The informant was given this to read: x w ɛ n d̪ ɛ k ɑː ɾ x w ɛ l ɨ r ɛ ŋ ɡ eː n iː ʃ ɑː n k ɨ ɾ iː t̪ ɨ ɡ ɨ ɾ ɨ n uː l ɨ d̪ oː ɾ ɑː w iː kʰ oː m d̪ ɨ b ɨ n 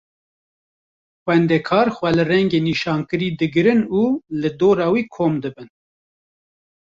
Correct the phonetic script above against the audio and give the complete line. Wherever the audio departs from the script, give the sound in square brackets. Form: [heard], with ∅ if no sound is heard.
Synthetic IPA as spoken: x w ɛ n d̪ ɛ [kʰ] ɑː ɾ x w ɛ l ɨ r ɛ ŋ ɡ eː n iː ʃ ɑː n k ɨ ɾ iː [d̪] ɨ ɡ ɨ ɾ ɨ n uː l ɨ d̪ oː ɾ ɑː w iː kʰ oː m d̪ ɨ b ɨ n